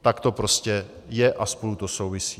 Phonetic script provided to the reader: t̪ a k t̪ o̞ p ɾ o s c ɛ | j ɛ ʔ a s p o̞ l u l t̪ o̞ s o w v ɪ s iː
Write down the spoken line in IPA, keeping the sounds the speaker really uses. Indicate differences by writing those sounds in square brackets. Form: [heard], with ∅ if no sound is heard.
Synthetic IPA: t̪ a k t̪ o̞ p ɾ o s c ɛ | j ɛ ʔ a s p o̞ l u [∅] t̪ o̞ s o w v ɪ s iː